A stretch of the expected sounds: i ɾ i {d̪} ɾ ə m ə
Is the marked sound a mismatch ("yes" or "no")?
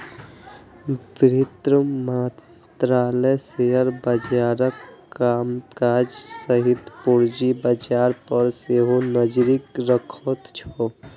yes